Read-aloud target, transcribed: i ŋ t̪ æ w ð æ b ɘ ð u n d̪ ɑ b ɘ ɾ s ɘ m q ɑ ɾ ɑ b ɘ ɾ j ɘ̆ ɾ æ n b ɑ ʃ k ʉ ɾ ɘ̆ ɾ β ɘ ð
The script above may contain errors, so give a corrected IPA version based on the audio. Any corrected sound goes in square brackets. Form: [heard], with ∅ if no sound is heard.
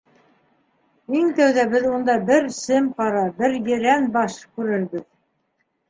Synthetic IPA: i ŋ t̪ æ w ð æ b ɘ ð u n d̪ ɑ b ɘ ɾ s ɘ m q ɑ ɾ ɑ b ɘ ɾ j ɘ̆ ɾ æ n b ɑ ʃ k ʉ ɾ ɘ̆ ɾ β ɘ ð

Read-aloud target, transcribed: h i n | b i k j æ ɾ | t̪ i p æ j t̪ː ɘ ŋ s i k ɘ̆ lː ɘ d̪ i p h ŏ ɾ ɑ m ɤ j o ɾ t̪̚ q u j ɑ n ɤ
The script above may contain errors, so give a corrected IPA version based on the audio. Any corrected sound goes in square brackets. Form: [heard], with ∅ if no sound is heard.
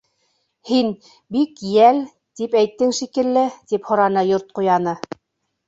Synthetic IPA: h i n | b i k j æ [l] | t̪ i p æ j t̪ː ɘ ŋ [ʃ] i k ɘ̆ lː ɘ [t̪] i p h ŏ ɾ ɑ [n] ɤ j o ɾ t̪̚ q u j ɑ n ɤ

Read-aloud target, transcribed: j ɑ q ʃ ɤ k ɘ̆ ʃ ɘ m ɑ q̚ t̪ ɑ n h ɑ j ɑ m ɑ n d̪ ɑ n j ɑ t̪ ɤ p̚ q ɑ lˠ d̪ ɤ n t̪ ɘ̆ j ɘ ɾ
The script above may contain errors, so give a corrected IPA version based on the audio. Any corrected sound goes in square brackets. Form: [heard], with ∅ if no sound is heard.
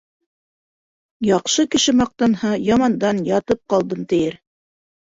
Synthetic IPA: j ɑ q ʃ ɤ k ɘ̆ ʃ ɘ m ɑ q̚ t̪ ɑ n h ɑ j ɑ m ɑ n d̪ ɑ n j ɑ t̪ ɤ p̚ q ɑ lˠ d̪ ɤ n t̪ ɘ̆ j ɘ ɾ

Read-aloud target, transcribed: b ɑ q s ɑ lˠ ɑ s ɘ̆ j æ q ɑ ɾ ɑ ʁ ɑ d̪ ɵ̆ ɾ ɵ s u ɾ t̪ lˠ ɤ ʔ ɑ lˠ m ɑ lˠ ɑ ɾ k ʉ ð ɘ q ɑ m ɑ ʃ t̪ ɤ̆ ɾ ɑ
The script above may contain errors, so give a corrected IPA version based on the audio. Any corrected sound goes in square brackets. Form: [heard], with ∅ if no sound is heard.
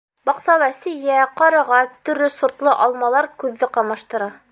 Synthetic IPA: b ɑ q s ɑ lˠ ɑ s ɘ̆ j æ q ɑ ɾ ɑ ʁ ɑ [t̪] ɵ̆ ɾ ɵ s u ɾ t̪ lˠ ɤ ʔ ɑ lˠ m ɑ lˠ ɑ ɾ k ʉ [ðː] ɘ q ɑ m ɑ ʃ t̪ ɤ̆ ɾ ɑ

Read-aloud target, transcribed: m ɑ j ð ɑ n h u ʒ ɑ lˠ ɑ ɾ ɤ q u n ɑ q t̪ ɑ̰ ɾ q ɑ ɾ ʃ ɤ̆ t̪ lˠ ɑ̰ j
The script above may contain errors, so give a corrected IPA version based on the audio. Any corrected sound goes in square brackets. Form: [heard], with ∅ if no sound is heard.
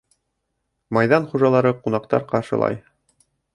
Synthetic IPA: m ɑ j ð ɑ n [χ] u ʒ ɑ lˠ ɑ ɾ ɤ q u n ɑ q t̪ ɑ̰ ɾ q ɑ ɾ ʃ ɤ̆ [∅] lˠ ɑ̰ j

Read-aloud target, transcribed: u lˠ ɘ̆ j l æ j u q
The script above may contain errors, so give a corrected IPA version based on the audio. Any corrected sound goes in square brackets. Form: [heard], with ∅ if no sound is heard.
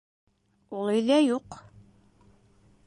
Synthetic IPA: u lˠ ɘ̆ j l æ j u q

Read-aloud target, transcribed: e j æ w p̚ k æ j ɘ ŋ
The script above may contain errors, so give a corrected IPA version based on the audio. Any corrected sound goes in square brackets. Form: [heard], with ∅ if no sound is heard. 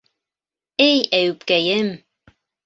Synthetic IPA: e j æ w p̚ k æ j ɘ [m]

